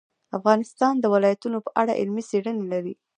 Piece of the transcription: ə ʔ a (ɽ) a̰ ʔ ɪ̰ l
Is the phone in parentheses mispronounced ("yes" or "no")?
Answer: no